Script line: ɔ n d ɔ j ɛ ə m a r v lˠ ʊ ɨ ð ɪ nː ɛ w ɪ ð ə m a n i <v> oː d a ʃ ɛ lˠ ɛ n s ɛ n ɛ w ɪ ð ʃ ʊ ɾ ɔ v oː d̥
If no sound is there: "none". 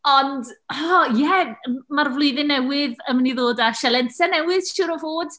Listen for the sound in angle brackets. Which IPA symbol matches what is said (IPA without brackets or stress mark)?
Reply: ð